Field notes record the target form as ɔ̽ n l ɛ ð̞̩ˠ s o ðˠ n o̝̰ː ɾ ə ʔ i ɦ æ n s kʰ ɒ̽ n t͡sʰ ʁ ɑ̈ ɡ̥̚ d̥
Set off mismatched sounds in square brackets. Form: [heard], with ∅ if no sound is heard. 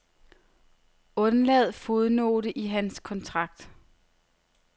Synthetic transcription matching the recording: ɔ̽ n l ɛ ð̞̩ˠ [f] o ðˠ n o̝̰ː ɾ ə ʔ i ɦ æ n s kʰ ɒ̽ n t͡sʰ ʁ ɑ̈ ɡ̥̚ d̥